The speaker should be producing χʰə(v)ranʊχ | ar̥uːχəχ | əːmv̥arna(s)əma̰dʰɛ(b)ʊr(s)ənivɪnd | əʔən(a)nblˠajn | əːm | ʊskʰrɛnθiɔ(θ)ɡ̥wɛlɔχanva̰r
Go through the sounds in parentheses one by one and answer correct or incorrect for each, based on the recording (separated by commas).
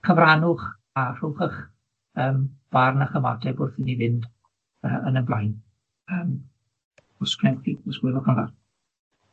correct, incorrect, correct, incorrect, incorrect, incorrect